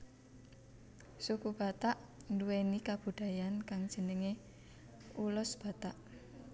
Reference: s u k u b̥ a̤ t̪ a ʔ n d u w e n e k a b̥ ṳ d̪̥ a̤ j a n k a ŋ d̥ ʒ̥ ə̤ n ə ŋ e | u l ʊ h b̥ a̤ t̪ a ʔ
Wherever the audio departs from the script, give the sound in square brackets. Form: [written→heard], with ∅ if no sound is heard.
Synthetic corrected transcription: s u k u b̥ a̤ t̪ a ʔ n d u w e n [e→i] k a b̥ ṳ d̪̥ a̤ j a n k a ŋ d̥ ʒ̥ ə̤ n ə ŋ e | u l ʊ [h→s] b̥ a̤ t̪ a ʔ